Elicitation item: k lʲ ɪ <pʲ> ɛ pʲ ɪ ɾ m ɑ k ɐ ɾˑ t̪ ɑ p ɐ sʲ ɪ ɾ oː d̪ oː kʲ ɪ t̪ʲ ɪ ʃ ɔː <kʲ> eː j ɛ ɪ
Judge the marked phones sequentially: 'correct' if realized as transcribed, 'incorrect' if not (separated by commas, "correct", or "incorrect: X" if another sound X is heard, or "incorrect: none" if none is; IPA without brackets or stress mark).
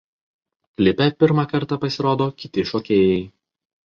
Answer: correct, correct